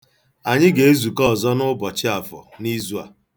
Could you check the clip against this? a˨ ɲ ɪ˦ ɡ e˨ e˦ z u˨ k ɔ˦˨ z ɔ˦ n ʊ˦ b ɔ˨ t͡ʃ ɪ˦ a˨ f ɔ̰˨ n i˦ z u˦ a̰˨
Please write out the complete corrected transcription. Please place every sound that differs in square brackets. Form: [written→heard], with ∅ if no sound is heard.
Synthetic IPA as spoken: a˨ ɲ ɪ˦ ɡ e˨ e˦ z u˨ k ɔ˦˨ z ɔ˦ n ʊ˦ b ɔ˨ t͡ʃ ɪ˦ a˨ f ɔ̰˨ n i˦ z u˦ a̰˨